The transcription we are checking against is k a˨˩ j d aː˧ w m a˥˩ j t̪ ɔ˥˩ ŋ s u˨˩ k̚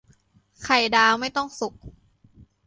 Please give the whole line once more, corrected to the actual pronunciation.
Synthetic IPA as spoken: kʰ a˨˩ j d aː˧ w m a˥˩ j t̪ ɔ˥˩ ŋ s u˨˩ k̚